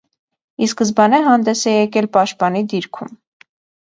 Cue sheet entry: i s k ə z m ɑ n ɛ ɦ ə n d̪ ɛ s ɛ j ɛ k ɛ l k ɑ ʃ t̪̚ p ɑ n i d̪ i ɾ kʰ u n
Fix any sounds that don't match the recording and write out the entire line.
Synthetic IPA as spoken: i s k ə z b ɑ n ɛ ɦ ɑ n d̪ ɛ s ɛ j ɛ k ɛ l p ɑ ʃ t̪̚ p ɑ n i d̪ i ɾ kʰ u m